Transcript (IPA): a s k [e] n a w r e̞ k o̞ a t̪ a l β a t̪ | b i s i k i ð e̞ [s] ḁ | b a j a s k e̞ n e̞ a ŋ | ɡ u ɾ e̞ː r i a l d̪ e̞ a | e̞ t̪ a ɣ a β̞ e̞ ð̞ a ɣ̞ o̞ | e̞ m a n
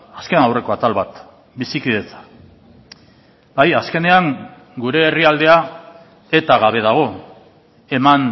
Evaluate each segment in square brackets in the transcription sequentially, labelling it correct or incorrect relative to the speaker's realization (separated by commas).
correct, incorrect